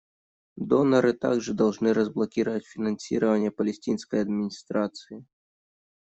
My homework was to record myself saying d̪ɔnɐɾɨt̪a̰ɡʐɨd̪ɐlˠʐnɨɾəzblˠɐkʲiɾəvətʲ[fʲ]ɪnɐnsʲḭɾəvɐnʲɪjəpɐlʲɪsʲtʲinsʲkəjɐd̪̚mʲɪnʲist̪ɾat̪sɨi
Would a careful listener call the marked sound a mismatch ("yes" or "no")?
no